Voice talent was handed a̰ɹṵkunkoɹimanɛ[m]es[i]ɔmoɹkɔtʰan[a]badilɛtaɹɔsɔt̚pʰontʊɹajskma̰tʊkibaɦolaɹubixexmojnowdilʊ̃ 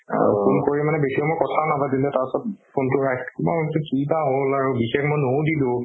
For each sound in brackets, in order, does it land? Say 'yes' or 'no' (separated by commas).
no, yes, yes